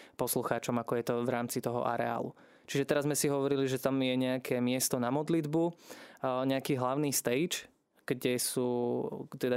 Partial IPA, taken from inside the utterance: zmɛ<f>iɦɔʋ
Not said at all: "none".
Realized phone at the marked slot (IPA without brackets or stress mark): s